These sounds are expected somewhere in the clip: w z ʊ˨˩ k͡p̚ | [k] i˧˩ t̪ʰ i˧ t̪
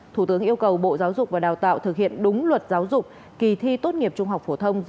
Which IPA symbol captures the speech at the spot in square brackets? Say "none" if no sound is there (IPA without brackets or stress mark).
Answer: k